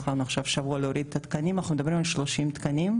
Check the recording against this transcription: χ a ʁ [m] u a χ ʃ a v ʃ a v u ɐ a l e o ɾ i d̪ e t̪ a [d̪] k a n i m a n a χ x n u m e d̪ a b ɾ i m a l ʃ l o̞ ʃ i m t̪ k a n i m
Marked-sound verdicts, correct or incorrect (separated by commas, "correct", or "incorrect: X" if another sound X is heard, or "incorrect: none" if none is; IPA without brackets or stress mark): incorrect: n, incorrect: t̪